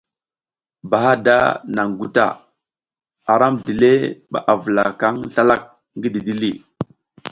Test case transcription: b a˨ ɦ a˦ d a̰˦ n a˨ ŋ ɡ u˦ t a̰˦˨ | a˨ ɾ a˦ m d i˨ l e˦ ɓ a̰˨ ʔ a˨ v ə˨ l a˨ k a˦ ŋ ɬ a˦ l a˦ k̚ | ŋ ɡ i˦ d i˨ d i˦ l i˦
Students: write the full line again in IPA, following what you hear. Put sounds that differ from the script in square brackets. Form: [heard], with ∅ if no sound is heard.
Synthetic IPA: b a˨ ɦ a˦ d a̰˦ n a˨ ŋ ɡ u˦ t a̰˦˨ | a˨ ɾ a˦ m d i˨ l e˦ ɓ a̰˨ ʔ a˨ v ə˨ l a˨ k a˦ ŋ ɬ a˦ l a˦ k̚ | ŋ ɡ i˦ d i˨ d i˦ l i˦